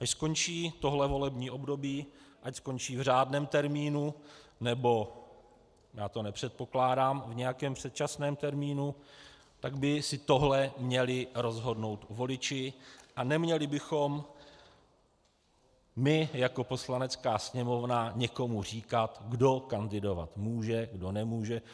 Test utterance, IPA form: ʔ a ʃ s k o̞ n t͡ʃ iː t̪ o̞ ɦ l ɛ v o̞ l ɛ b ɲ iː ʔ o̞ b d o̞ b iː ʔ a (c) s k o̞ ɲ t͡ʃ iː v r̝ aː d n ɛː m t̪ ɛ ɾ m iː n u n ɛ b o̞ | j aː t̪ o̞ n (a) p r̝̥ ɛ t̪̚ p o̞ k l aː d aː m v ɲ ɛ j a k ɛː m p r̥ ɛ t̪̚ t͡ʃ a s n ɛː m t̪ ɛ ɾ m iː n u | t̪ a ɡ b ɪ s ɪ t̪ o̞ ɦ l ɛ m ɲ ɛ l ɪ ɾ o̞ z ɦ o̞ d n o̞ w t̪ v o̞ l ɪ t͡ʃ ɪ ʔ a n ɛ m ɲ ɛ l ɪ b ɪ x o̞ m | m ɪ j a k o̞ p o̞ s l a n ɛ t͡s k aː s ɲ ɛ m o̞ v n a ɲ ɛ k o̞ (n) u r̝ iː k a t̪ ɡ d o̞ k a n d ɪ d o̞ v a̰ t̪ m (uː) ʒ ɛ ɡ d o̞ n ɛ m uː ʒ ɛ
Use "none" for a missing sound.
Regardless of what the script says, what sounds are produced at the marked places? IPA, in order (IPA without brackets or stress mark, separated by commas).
c, ɛ, m, uː